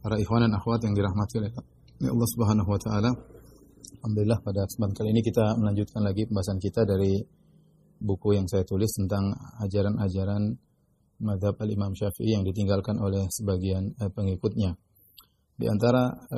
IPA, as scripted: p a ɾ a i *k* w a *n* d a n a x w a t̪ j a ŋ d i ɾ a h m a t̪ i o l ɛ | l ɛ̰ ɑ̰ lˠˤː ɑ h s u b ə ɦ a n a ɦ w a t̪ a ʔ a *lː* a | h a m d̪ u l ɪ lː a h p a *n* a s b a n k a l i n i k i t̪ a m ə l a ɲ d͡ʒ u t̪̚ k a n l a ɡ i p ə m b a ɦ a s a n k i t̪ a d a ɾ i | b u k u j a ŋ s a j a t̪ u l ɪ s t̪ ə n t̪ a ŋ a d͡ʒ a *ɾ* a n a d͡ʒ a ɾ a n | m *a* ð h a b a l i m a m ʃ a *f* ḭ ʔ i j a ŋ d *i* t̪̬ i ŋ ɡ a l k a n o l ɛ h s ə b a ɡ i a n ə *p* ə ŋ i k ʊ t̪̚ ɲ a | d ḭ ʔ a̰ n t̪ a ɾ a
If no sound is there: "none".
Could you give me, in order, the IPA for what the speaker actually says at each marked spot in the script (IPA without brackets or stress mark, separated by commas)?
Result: x, n, l, d, ɾ, a, f, i, p